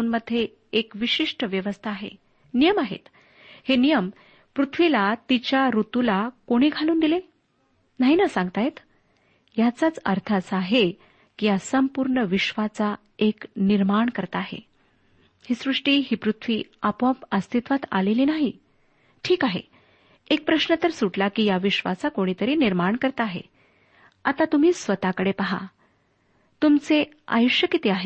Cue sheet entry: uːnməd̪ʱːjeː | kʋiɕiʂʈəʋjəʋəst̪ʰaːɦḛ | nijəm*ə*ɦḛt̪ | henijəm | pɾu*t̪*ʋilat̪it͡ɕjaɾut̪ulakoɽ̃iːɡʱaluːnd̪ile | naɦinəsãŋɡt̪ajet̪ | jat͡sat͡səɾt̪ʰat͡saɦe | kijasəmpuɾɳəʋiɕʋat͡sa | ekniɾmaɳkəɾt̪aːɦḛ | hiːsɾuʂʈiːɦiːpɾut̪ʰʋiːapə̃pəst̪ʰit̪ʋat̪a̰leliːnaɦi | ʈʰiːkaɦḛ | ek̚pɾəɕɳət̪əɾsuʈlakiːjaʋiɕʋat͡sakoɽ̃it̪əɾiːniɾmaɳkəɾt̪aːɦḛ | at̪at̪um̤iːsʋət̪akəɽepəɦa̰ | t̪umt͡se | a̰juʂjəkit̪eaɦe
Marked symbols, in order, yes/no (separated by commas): no, no